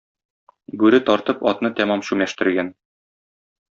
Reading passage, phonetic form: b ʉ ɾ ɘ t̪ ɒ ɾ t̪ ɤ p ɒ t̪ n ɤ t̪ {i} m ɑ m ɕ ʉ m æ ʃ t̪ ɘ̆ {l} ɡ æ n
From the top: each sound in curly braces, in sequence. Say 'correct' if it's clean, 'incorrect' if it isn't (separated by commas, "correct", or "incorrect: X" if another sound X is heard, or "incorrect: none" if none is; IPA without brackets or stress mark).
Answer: incorrect: æ, incorrect: ɾ